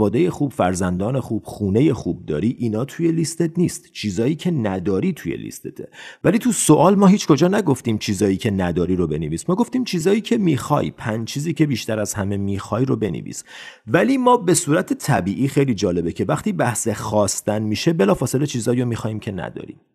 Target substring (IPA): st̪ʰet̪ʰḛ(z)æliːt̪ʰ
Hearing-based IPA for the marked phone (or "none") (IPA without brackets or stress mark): v